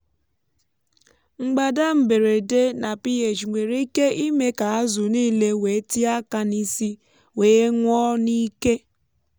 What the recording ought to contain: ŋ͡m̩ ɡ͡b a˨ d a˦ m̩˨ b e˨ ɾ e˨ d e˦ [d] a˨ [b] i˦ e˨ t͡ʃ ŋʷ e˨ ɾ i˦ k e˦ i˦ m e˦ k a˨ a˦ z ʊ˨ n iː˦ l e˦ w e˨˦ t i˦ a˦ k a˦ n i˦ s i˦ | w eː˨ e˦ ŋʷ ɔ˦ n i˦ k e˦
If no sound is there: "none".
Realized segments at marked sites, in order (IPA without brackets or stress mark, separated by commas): n, p